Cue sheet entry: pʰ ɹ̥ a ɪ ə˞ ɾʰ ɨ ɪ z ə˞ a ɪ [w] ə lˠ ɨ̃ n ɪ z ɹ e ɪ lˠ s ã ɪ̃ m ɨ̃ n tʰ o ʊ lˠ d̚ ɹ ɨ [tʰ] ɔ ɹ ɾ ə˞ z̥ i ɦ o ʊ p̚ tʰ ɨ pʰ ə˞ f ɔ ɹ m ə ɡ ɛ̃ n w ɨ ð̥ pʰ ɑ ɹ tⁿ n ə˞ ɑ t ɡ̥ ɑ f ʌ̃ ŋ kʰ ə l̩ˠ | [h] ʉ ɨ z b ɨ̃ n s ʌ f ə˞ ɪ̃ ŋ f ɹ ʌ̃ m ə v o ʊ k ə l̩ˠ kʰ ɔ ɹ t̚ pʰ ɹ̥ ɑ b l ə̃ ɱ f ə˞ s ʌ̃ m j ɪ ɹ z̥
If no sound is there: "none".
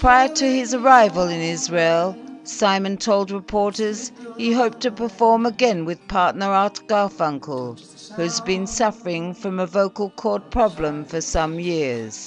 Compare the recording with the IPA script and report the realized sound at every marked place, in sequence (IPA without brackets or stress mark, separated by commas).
v, pʰ, h